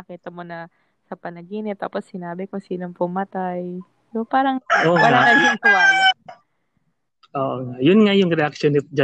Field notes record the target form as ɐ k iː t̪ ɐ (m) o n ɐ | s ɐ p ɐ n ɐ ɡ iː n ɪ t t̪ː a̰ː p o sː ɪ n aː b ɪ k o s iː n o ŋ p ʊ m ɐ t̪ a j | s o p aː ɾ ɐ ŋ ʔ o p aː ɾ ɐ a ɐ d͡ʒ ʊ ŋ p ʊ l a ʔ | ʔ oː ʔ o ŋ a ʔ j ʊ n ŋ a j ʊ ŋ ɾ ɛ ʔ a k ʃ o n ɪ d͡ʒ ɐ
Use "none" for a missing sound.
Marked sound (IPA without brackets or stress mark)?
m